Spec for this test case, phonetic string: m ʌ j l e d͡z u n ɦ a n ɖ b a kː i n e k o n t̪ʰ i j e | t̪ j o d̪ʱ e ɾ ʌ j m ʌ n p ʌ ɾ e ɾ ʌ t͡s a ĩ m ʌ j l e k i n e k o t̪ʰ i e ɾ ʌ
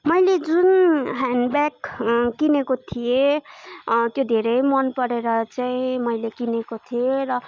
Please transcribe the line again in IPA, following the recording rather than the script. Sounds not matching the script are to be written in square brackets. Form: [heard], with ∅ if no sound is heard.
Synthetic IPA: m ʌ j l e d͡z u n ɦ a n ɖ b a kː i n e k o [∅] t̪ʰ i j e | t̪ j o d̪ʱ e ɾ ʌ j m ʌ n p ʌ ɾ e ɾ ʌ t͡s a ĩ m ʌ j l e k i n e k o t̪ʰ i e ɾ ʌ